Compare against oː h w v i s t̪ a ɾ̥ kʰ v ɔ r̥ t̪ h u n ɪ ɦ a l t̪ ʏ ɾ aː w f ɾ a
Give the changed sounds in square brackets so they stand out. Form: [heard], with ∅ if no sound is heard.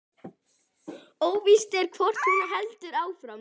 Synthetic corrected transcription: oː [∅] w v i s t̪ [ɛ] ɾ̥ kʰ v ɔ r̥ t̪ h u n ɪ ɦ [ɛ] l t̪ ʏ ɾ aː w f ɾ a